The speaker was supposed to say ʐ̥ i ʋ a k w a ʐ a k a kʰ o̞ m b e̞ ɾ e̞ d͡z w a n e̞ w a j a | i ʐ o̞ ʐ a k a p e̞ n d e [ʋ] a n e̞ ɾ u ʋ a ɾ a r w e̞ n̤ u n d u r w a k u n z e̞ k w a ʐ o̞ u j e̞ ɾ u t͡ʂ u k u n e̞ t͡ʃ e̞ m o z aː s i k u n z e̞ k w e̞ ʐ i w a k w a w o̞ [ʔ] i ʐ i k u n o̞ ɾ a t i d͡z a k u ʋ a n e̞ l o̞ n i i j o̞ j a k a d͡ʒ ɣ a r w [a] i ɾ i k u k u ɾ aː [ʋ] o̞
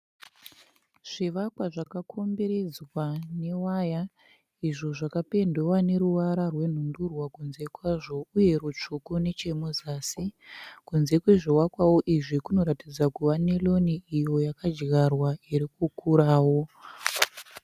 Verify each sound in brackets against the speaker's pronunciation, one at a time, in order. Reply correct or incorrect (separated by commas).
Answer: incorrect, correct, correct, incorrect